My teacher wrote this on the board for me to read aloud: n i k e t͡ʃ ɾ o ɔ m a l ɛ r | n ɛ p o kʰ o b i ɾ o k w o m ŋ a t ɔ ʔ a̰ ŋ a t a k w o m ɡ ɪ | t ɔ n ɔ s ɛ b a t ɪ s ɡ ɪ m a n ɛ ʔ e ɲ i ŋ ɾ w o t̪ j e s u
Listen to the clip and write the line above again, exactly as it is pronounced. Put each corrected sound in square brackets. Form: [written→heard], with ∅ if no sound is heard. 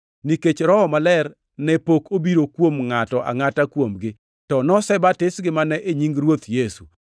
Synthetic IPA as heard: n i k e t͡ʃ ɾ [o→ɔ] ɔ m a l ɛ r | n ɛ p o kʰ o b i ɾ o k w o m ŋ a t ɔ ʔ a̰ ŋ a t a k w o m ɡ ɪ | t ɔ n ɔ s ɛ b a t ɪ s ɡ ɪ m a n ɛ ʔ e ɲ i ŋ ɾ w o t̪ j e s u